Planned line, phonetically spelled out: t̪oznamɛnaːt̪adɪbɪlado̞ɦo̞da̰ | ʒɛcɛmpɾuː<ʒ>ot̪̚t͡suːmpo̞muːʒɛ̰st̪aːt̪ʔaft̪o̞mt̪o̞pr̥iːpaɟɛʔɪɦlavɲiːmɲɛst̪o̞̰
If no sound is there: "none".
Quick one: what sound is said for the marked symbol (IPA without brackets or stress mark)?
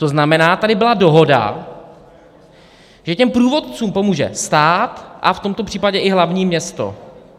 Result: v